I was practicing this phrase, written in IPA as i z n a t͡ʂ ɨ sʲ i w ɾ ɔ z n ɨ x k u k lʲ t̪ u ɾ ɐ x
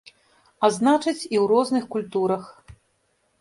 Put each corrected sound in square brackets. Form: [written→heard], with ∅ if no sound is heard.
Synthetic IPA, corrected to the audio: [i→a] z n a t͡ʂ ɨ [sʲ→t͡sʲ] i w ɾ ɔ z n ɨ x k u [k→∅] lʲ t̪ u ɾ ɐ x